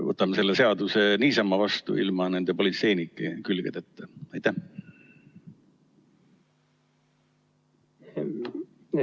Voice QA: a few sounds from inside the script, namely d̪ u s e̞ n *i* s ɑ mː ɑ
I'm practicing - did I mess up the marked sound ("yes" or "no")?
yes